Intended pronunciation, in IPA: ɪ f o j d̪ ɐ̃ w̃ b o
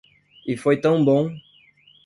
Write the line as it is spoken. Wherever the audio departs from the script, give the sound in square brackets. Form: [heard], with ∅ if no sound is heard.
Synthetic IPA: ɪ f o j [t̪] ɐ̃ w̃ b [õ]